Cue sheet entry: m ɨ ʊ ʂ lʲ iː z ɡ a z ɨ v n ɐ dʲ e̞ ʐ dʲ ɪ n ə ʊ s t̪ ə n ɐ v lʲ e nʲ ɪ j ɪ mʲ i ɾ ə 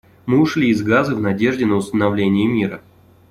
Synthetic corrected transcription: m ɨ ʊ ʂ lʲ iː z ɡ a z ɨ v n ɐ dʲ e̞ ʐ dʲ ɪ n ə ʊ s t̪ ə n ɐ v lʲ e nʲ ɪ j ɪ mʲ i ɾ ə